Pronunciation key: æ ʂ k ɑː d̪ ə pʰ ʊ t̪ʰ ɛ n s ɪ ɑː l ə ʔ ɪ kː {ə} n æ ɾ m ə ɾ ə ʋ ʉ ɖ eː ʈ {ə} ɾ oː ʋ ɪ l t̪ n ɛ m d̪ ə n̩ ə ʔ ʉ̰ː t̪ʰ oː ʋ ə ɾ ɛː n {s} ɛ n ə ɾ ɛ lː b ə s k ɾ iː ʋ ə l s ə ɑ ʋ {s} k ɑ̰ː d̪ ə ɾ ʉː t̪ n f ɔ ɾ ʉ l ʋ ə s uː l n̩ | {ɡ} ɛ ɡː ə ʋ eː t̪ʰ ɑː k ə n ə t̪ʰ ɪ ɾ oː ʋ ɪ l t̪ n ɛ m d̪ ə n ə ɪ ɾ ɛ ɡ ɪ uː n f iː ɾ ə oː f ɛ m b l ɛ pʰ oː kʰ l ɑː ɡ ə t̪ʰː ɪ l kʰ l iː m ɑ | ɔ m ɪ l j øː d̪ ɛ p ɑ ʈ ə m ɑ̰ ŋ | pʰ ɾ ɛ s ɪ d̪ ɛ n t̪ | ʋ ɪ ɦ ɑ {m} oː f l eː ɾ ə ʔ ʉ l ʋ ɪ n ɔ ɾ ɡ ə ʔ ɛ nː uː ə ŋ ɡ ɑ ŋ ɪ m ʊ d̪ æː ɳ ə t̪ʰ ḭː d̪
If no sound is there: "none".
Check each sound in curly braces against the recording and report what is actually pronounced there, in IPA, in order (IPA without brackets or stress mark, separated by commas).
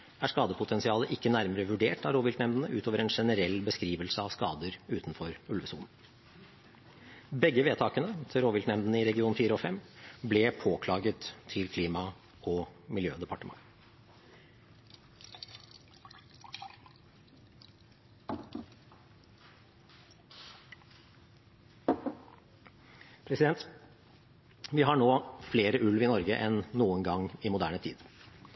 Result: ə, ɑ, ʂ, s, b, ɳ